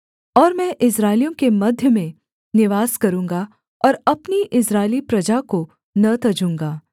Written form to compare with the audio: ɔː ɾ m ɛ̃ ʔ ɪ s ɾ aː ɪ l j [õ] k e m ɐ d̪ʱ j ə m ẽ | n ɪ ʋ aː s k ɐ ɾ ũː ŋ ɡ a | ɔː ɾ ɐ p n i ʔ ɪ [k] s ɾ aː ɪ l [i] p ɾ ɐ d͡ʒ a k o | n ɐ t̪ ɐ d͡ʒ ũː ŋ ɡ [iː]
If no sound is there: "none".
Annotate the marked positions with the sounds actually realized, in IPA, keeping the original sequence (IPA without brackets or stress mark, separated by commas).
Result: õ, none, i, aː